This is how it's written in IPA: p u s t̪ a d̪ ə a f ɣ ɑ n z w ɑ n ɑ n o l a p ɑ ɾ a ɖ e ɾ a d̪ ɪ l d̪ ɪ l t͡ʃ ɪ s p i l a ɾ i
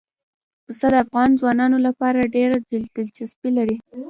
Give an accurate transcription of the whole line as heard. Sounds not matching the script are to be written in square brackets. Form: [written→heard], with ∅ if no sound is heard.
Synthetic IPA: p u s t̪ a d̪ ə a f ɣ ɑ n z w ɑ n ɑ n o l a p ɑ ɾ a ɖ e ɾ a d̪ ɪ l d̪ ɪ l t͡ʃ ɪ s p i l a ɾ i